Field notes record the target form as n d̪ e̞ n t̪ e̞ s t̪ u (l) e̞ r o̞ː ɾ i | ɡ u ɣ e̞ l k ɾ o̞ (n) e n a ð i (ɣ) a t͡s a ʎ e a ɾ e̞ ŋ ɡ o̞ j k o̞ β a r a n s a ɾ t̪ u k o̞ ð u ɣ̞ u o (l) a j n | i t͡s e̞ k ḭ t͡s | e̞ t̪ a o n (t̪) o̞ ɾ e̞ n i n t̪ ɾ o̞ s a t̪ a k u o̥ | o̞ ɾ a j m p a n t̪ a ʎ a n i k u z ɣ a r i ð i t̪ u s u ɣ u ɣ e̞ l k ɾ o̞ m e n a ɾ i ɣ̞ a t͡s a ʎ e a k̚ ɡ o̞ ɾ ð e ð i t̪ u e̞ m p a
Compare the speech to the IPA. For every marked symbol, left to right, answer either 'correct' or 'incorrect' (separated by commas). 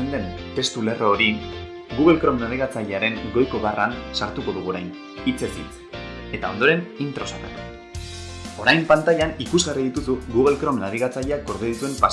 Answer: correct, incorrect, correct, incorrect, incorrect